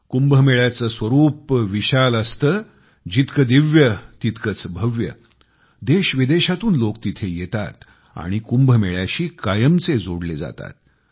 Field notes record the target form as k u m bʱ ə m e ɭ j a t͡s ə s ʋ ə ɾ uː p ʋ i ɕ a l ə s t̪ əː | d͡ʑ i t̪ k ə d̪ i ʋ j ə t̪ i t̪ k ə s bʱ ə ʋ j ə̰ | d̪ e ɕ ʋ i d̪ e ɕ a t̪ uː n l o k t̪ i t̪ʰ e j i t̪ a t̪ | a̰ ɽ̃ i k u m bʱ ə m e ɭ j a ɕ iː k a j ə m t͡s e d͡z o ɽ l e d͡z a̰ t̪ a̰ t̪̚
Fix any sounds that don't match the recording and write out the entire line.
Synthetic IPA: k u m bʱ ə m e ɭ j a t͡s ə s ʋ ə ɾ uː p ʋ i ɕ a l ə s t̪ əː | d͡ʑ i t̪ k ə d̪ i ʋ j ə t̪ i t̪ k ə t͡s bʱ ə ʋ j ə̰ | d̪ e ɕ ʋ i d̪ e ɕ a t̪ uː n l o k t̪ i t̪ʰ e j e t̪ a t̪ | a̰ ɽ̃ i k u m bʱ ə m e ɭ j a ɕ iː k a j ə m t͡s e d͡z o ɽ l e d͡z a̰ t̪ a̰ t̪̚